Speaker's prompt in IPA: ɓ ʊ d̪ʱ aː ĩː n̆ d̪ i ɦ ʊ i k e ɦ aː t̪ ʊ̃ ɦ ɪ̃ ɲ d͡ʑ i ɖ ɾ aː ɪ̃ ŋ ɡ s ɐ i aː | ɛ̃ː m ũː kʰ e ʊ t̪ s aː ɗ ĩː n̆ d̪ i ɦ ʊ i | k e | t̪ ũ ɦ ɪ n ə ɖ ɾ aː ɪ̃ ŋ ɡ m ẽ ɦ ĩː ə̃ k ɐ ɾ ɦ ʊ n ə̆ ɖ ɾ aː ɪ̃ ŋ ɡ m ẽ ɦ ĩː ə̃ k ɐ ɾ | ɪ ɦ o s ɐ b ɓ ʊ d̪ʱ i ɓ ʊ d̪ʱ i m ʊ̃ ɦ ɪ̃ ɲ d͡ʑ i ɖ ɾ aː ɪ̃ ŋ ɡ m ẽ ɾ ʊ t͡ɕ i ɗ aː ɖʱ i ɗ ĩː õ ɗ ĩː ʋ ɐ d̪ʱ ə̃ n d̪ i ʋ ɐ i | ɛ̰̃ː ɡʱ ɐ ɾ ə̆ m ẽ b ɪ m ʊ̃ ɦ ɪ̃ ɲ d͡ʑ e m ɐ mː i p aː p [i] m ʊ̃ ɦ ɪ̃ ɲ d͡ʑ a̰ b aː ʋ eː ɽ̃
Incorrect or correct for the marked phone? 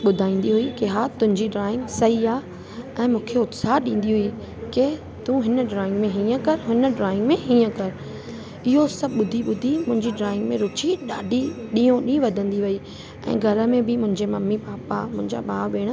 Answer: incorrect: a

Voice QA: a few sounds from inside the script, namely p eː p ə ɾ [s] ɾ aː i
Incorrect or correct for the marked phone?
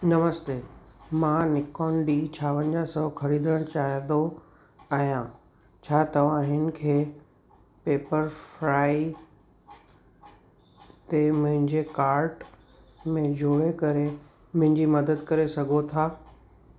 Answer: incorrect: f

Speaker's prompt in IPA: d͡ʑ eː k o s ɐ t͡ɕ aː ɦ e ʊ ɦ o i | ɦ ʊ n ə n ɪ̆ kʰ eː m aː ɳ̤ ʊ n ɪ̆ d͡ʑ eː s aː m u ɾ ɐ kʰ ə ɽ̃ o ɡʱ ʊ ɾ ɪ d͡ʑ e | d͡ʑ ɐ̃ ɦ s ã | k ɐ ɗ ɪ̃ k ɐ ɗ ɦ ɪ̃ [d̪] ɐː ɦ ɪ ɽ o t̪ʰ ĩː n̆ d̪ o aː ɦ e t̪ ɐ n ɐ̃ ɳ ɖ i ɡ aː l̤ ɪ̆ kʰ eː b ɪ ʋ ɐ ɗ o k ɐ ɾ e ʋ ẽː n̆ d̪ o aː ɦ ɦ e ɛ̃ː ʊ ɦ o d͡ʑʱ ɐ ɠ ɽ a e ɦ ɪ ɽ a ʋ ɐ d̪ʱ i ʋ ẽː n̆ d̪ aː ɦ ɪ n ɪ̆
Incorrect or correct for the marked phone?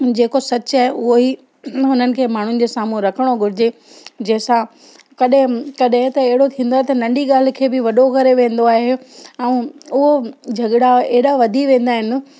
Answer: incorrect: t̪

